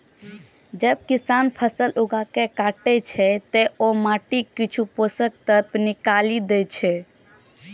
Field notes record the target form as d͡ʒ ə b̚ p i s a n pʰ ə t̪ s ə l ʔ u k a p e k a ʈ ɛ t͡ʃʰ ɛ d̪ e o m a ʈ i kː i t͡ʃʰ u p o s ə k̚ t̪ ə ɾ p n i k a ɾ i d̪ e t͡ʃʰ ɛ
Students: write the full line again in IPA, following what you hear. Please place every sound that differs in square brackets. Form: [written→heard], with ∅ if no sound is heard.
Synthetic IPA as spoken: d͡ʒ ə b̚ [p→k] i s a n pʰ ə [t̪→∅] s ə l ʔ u [k→ɡ] a [p→k] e k a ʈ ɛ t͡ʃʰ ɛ [d̪→t̪] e o m a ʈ i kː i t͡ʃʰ u p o s ə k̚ t̪ ə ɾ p n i k a [ɾ→l] i d̪ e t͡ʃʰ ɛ